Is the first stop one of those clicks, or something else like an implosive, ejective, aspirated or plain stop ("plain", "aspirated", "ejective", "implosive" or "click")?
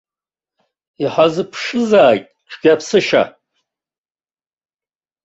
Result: aspirated